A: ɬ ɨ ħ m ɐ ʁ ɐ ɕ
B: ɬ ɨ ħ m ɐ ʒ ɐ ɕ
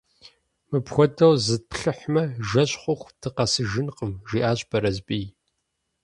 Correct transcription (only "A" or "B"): B